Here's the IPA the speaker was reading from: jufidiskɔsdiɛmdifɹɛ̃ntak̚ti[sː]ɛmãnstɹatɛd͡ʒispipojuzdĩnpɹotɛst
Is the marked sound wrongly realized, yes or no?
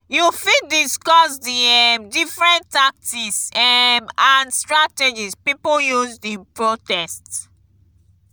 yes